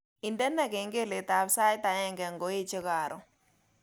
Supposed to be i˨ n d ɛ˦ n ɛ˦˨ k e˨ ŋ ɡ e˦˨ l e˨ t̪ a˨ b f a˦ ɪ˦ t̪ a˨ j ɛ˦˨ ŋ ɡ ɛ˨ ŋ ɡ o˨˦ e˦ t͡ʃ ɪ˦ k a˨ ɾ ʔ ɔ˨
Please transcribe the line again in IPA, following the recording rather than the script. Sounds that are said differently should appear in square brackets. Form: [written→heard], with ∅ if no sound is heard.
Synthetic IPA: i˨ n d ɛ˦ n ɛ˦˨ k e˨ ŋ ɡ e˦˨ l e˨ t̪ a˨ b [f→s] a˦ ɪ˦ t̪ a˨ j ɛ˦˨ ŋ ɡ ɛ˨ ŋ ɡ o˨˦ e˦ t͡ʃ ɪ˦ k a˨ ɾ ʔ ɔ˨